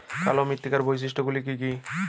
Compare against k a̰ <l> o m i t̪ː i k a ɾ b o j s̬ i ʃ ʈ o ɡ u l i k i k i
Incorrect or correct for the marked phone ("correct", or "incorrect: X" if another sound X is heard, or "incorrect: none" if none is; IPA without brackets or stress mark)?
correct